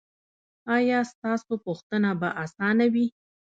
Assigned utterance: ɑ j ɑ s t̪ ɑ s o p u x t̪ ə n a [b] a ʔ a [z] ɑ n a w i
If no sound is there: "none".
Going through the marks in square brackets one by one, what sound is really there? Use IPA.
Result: b, s

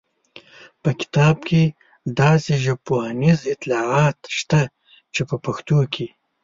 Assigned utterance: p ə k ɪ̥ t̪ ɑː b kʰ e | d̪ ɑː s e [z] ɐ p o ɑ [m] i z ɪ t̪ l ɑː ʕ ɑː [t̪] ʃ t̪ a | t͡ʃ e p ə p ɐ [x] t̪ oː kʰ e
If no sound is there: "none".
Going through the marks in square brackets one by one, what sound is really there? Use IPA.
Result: ʒ, n, t̪, x

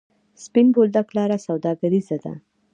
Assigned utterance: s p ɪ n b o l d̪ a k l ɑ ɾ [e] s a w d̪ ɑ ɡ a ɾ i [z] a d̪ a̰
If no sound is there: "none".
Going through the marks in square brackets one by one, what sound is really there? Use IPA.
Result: a, z

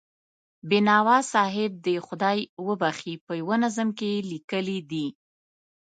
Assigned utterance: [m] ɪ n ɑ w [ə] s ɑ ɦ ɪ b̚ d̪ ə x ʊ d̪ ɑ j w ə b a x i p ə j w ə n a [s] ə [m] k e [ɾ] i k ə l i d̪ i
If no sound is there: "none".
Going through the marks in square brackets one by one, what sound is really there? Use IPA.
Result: b, ɑ, z, m, l

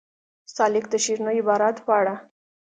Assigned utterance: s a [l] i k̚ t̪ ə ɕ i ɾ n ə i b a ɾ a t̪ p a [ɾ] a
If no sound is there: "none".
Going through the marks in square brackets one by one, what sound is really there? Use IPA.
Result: l, ɽ

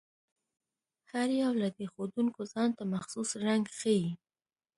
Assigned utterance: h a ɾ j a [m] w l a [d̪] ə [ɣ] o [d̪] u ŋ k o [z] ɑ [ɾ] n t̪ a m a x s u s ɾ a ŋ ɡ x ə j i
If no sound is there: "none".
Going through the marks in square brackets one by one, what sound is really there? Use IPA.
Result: none, d̪, x, d̪, z, none

